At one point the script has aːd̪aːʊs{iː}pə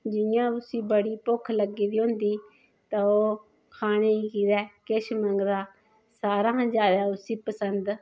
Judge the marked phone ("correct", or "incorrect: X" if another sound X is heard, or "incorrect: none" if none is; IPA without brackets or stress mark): correct